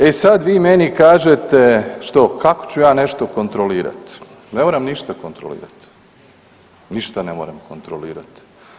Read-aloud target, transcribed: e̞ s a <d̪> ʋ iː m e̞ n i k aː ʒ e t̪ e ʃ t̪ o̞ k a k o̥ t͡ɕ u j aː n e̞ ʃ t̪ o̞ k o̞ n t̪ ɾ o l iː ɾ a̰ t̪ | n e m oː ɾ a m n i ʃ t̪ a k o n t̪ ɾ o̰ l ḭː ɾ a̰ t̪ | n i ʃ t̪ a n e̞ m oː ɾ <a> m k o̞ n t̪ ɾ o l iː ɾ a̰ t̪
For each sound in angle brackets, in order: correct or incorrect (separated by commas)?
correct, correct